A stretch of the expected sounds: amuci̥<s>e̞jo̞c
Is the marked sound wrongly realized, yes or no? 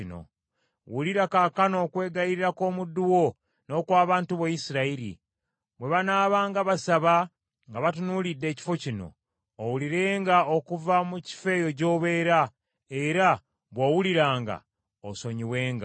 yes